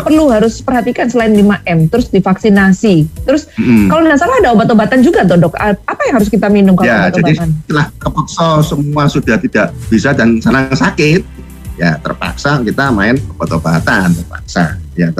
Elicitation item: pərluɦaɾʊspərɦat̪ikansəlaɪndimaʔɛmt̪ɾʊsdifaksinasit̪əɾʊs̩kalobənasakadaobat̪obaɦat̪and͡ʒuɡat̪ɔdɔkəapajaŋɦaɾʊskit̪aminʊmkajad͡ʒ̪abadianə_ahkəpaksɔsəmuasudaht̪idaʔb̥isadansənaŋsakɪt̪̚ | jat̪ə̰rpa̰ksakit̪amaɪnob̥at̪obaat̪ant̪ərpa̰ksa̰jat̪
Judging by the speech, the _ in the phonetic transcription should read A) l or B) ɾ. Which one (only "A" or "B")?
A